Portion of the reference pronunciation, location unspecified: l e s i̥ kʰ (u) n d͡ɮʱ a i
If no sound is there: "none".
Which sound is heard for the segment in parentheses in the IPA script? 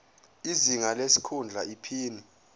u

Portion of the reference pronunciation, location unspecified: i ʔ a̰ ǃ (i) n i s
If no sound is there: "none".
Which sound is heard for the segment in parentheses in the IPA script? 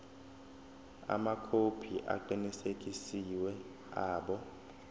i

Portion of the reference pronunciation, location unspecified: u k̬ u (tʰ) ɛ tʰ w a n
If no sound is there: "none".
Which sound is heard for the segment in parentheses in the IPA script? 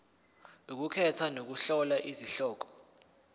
kʰ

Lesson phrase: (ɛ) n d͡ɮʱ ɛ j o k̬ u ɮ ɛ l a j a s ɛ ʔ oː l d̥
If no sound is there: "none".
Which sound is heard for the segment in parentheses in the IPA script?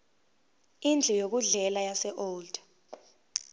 i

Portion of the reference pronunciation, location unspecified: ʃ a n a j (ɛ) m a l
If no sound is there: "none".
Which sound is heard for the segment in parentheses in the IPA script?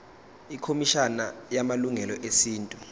a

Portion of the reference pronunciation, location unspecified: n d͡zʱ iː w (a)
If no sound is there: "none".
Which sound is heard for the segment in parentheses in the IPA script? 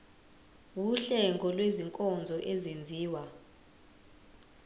a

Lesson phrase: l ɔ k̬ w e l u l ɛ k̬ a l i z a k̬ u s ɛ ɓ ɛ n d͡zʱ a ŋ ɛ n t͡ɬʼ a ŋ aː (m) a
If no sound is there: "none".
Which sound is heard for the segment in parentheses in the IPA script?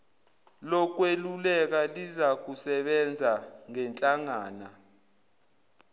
n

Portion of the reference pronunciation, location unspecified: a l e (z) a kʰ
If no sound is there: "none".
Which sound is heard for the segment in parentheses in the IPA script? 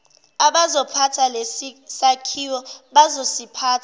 s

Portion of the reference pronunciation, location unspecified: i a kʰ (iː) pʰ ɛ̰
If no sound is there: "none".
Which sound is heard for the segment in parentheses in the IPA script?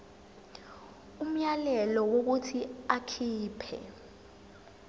iː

